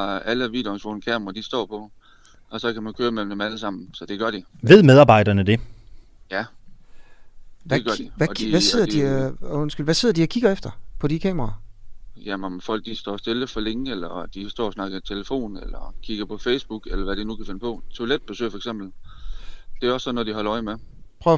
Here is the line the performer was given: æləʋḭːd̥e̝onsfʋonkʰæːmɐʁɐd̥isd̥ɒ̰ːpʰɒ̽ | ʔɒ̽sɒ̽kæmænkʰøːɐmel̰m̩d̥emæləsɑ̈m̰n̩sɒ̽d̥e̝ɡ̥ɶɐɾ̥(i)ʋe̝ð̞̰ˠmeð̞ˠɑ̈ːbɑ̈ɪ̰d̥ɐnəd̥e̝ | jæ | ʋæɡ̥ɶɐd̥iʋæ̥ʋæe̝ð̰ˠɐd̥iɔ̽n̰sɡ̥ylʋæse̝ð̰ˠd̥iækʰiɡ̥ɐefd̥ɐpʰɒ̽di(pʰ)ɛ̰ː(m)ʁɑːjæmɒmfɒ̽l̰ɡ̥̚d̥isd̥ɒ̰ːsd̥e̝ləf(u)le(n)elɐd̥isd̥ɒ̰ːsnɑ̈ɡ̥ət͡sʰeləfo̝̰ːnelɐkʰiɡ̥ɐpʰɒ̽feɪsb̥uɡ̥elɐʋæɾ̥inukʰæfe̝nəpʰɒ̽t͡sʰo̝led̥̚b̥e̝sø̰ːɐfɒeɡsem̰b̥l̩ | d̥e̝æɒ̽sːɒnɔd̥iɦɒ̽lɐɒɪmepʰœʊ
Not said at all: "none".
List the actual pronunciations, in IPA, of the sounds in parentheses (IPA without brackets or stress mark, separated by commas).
i, kʰ, m, ɒ, ŋ